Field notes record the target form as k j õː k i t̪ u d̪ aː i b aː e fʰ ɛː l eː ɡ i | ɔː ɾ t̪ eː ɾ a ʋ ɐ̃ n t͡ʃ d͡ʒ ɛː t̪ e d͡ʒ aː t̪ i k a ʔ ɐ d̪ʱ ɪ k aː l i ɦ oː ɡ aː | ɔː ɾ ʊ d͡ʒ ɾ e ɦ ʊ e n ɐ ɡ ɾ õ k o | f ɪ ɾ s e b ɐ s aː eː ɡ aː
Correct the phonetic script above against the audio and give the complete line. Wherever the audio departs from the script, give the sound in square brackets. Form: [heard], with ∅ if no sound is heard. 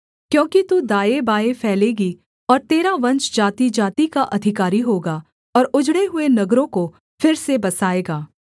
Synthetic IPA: k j õː k i t̪ u d̪ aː [e] b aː e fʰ ɛː l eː ɡ i | ɔː ɾ t̪ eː ɾ a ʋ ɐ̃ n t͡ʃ d͡ʒ [aː] t̪ [i] d͡ʒ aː t̪ i k a ʔ ɐ d̪ʱ ɪ k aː [ɾ] i ɦ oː ɡ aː | ɔː ɾ ʊ d͡ʒ [ɽ] e ɦ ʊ e n ɐ ɡ ɾ õ k o | f ɪ ɾ s e b ɐ s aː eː ɡ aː

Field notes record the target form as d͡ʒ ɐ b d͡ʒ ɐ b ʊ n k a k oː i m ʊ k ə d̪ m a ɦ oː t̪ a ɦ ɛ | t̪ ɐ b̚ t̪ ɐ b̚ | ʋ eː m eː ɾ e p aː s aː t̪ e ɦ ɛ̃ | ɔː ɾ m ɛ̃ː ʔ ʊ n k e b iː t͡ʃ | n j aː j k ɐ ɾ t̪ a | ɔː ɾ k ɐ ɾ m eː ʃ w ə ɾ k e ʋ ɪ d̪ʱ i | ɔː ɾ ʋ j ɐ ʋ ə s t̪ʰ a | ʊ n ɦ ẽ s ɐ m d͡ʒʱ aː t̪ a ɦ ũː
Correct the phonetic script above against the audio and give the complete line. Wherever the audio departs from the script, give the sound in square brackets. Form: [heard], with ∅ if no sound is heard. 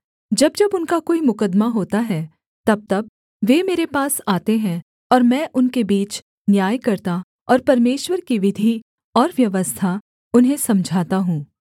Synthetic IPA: d͡ʒ ɐ b d͡ʒ ɐ b ʊ n k a k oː i m ʊ k ə d̪ m a ɦ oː t̪ a ɦ ɛ | t̪ ɐ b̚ t̪ ɐ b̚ | ʋ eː m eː ɾ e p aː s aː t̪ e ɦ ɛ̃ | ɔː ɾ m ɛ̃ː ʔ ʊ n k e b iː t͡ʃ | n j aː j k ɐ ɾ t̪ a | ɔː ɾ [p] ɐ ɾ m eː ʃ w ə ɾ k [i] ʋ ɪ d̪ʱ i | ɔː ɾ ʋ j ɐ ʋ ə s t̪ʰ a | ʊ n ɦ ẽ s ɐ m d͡ʒʱ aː t̪ a ɦ ũː

